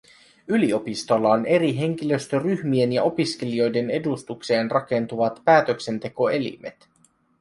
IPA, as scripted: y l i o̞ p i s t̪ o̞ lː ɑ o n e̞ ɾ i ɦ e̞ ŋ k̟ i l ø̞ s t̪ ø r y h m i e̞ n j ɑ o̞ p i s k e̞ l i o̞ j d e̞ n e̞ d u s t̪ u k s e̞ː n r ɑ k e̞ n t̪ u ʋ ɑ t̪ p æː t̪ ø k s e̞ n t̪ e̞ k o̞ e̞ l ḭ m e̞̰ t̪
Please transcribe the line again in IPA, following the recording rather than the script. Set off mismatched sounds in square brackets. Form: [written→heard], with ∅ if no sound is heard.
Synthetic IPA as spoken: y l i o̞ p i s t̪ o̞ lː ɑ o n e̞ ɾ i ɦ e̞ ŋ k̟ i l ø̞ s t̪ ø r y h m i e̞ n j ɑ o̞ p i s k e̞ l i o̞ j d e̞ n e̞ d u s t̪ u k s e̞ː n r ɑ k e̞ n t̪ u ʋ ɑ t̪ p æː t̪ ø k s e̞ n t̪ e̞ k o̞ e̞ l ḭ m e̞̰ t̪